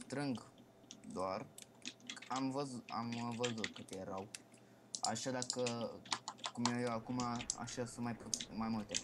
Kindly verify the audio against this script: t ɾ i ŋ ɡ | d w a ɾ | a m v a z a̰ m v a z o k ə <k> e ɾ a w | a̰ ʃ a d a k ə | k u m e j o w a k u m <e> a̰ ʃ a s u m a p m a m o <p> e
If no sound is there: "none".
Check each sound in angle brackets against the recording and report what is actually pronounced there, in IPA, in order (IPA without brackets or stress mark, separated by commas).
t, a, t